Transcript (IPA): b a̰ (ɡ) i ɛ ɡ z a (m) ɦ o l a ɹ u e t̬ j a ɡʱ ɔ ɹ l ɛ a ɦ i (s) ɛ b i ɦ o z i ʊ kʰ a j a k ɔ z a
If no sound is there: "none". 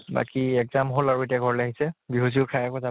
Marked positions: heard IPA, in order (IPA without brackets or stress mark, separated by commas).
k, m, s